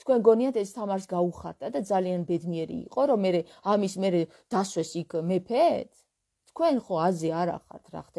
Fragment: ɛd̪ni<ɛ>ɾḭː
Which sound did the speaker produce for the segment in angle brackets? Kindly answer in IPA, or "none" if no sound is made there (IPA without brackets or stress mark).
ɛ